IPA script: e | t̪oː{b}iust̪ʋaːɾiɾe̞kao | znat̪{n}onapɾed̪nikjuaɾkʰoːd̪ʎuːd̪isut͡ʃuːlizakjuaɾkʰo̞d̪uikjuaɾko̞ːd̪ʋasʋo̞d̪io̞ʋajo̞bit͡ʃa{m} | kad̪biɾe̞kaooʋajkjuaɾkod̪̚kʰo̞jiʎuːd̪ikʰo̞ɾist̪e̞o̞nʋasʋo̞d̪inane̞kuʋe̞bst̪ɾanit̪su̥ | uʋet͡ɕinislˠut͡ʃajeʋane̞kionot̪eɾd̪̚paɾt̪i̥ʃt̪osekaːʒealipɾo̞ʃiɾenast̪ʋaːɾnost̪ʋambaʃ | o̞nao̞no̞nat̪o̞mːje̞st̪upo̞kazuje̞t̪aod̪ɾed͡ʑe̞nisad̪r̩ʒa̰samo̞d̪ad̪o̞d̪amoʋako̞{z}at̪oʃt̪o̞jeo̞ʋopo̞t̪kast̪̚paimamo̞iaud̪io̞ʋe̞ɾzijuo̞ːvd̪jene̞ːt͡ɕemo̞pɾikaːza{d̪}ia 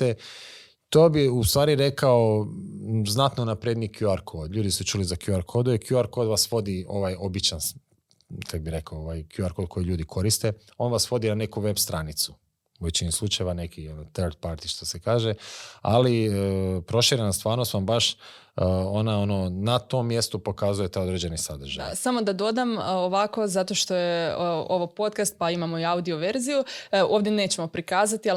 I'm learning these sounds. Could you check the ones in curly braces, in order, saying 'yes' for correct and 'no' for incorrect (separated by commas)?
yes, yes, no, yes, no